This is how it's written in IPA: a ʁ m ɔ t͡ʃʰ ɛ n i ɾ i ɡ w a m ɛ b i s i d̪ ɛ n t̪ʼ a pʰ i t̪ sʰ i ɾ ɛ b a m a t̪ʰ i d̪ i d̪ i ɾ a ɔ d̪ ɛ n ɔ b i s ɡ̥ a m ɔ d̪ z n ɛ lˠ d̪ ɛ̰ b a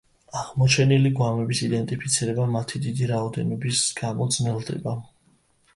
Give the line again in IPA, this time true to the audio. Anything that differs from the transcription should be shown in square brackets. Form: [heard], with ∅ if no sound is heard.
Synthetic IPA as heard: a ʁ m ɔ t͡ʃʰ ɛ n i [l] i ɡ w a m ɛ b i s i d̪ ɛ n t̪ʼ [i] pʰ i t̪ sʰ i ɾ ɛ b a m a t̪ʰ i d̪ i d̪ i ɾ a ɔ d̪ ɛ n ɔ b i s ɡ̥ a m ɔ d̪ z n ɛ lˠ d̪ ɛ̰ b a